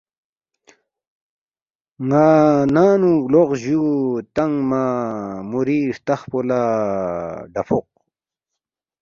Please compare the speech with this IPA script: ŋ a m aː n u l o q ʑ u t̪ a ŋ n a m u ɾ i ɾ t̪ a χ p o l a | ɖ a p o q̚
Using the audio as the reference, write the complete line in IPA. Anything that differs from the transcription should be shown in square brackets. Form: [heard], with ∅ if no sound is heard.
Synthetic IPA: ŋ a [n] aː n u l o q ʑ u t̪ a ŋ [m] a m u ɾ i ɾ t̪ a χ p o l a | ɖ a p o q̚